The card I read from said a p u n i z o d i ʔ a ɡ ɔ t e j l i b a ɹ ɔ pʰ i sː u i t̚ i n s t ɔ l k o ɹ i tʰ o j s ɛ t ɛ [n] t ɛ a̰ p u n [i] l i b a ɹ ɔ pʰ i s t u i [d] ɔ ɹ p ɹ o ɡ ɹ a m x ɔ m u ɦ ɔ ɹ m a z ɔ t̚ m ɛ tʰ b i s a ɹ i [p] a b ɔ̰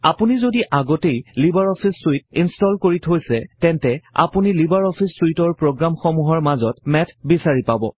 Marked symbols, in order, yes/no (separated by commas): yes, yes, no, yes